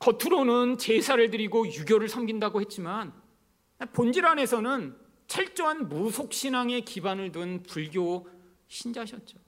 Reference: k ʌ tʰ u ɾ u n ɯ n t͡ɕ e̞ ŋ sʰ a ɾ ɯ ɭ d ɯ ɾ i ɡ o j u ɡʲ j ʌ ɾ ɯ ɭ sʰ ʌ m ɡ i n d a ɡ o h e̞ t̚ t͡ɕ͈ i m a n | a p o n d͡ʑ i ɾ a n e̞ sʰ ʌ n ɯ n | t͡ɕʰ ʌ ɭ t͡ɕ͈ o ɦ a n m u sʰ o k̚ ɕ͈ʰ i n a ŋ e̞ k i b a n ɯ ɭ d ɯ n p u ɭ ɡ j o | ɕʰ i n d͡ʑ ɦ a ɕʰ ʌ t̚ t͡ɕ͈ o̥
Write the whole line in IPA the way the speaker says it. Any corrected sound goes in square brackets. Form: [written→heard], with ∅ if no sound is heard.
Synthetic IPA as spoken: k ʌ tʰ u ɾ [u→o] n ɯ n t͡ɕ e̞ [ŋ→∅] sʰ a ɾ ɯ ɭ d ɯ ɾ i ɡ o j u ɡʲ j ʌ ɾ ɯ ɭ sʰ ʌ m ɡ i n d a ɡ o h e̞ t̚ t͡ɕ͈ i m a n | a p o n d͡ʑ i ɾ a n e̞ sʰ ʌ n ɯ n | t͡ɕʰ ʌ ɭ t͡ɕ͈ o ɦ a n m u sʰ o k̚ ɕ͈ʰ i n a ŋ e̞ k i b a n ɯ ɭ d ɯ n p u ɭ ɡ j o | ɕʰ i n d͡ʑ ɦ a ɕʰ ʌ t̚ t͡ɕ͈ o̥